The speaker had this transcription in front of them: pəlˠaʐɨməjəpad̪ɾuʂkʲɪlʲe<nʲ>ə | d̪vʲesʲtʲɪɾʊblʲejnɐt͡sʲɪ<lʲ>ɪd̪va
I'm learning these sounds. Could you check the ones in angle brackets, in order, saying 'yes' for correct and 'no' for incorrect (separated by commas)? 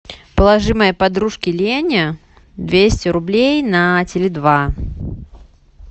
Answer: yes, yes